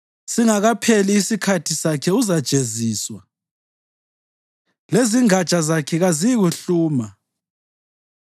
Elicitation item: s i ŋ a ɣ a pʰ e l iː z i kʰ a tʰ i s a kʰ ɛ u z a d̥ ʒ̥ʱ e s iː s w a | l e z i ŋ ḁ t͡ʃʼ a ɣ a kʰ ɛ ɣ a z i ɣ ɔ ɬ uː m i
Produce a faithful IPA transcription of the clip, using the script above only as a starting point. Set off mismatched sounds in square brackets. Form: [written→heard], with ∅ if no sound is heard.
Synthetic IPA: s i ŋ a ɣ a pʰ e l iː [z→s] i kʰ a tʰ i s a kʰ ɛ u z a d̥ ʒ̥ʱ e [s→z] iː s w a | l e z i ŋ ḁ t͡ʃʼ a [ɣ→z] a kʰ ɛ ɣ a z i ɣ [ɔ→u] ɬ uː m [i→a]